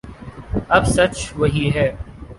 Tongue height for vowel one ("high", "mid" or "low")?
low